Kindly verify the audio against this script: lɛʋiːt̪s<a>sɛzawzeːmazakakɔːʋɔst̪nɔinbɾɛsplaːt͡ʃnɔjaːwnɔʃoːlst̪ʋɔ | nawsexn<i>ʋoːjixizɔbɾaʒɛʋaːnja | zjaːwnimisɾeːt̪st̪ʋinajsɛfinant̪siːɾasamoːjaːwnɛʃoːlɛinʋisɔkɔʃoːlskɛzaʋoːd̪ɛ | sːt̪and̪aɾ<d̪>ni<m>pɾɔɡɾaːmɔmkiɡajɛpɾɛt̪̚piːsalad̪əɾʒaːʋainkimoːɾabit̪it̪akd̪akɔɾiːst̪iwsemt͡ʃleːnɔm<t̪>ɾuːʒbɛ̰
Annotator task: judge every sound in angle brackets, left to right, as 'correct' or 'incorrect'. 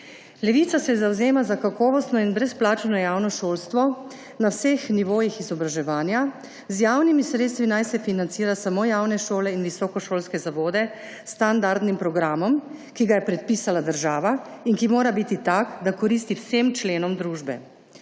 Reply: correct, correct, correct, correct, incorrect

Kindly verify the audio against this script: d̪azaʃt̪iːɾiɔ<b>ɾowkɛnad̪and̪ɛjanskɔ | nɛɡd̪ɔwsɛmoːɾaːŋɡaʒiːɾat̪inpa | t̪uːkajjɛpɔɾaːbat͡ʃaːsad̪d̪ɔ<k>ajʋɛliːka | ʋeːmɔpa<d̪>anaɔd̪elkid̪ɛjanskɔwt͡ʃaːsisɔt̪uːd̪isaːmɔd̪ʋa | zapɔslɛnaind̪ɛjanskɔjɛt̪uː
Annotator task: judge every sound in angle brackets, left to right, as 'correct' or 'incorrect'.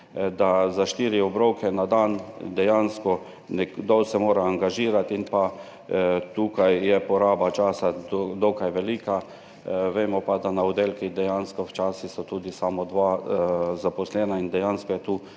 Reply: correct, correct, correct

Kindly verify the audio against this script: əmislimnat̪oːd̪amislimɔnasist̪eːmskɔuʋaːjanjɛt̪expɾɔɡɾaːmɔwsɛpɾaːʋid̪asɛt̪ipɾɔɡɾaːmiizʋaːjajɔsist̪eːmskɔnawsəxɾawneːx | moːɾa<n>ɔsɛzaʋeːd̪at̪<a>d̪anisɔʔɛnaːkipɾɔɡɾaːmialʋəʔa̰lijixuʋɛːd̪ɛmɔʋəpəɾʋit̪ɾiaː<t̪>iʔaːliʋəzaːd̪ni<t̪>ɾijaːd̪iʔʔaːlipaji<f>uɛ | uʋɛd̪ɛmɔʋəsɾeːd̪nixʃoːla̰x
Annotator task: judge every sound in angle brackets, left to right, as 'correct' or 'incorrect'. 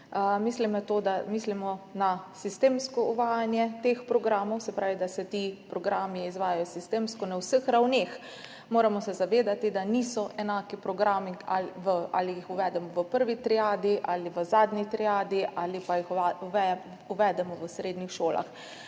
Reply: incorrect, incorrect, incorrect, correct, incorrect

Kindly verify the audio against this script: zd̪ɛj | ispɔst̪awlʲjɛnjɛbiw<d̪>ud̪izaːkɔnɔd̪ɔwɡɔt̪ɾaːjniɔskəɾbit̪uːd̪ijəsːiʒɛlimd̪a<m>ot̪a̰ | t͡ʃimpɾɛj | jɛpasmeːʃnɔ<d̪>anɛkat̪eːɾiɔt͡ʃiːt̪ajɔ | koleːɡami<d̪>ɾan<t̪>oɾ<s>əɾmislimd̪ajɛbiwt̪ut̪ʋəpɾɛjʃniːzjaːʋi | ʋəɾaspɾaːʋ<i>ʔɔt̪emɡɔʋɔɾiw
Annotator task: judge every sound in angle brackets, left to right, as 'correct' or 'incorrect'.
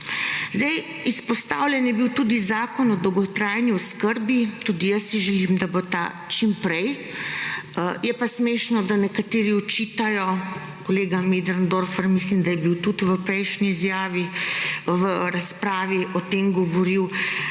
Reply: incorrect, incorrect, correct, correct, incorrect, incorrect, correct

